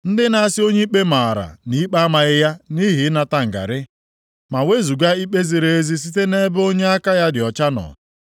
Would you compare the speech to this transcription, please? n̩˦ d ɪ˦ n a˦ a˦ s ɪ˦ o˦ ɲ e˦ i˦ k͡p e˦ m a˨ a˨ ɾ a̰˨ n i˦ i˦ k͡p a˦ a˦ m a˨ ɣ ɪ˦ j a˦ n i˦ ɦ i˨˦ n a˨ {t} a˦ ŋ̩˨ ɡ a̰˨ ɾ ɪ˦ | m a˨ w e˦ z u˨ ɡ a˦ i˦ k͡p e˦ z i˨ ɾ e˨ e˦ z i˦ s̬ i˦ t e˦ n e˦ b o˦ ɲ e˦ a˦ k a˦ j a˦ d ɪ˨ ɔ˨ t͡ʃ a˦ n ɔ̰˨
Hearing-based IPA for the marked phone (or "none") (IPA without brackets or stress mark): t